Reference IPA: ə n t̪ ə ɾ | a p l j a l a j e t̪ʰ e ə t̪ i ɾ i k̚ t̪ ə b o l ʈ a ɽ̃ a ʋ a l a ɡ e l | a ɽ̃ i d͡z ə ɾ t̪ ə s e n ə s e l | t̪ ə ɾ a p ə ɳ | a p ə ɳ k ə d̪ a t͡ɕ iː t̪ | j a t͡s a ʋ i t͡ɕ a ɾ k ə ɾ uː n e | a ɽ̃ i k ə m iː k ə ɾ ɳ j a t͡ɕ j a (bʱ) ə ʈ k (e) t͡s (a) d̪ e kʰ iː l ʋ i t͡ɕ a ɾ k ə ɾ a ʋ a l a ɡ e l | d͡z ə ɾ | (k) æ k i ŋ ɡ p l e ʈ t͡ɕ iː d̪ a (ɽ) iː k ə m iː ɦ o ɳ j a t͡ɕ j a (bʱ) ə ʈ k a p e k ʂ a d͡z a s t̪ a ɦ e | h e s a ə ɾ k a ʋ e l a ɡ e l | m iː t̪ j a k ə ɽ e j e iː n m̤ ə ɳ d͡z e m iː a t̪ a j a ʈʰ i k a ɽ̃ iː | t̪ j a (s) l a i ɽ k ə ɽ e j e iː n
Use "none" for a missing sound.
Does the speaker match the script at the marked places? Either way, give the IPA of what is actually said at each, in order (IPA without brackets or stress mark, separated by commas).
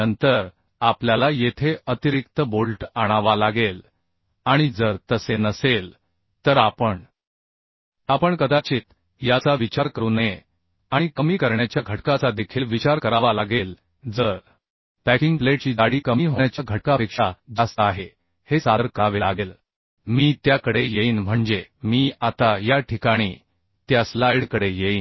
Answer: ɡʱ, a, a, p, ɽ, ɡʱ, s